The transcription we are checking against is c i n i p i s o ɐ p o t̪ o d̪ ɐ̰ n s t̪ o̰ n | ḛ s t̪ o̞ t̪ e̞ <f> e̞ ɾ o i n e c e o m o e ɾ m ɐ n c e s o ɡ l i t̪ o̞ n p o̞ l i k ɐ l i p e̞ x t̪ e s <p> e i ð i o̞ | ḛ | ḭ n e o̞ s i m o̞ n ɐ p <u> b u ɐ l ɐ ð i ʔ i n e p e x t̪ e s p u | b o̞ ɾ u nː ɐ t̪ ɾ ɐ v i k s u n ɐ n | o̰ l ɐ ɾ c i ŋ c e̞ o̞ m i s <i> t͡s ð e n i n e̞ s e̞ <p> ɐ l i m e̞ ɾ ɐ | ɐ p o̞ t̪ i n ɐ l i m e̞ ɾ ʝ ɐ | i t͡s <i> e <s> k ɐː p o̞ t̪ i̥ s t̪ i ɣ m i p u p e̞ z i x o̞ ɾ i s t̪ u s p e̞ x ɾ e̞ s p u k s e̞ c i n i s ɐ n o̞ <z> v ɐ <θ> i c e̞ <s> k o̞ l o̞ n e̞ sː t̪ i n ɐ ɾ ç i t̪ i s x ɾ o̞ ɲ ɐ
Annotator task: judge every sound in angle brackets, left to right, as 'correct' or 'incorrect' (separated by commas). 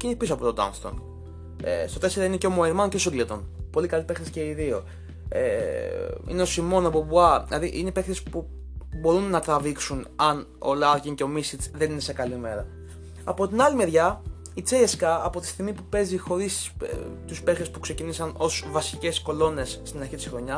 incorrect, incorrect, incorrect, correct, incorrect, incorrect, correct, incorrect, incorrect, correct